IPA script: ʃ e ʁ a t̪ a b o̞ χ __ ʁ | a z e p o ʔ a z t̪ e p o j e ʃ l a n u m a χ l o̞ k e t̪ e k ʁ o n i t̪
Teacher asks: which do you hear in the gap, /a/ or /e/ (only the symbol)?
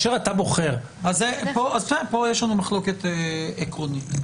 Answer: e